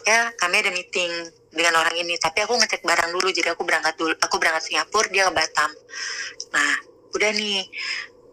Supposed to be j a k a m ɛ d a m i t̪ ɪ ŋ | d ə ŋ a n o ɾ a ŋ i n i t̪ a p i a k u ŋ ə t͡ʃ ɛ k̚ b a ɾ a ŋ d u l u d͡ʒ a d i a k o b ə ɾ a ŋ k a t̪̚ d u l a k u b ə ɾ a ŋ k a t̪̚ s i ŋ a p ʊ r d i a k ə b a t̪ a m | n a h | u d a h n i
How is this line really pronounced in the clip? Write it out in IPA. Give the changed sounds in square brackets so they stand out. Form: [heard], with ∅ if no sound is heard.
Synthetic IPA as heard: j a k a m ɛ d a m i t̪ ɪ ŋ | d ə ŋ a n o ɾ a ŋ i n i t̪ a p i a k u ŋ ə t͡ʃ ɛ k̚ b a ɾ a ŋ d u l u d͡ʒ a d i a k [u] b ə ɾ a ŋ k a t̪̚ d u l a k u b ə ɾ a ŋ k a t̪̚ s i ŋ a p ʊ r d i a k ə b a t̪ a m | n a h | u d a h n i